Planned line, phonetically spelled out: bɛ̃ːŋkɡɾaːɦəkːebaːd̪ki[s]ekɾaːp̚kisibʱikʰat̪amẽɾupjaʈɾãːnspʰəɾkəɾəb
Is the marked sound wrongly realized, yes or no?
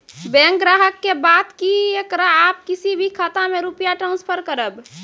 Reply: yes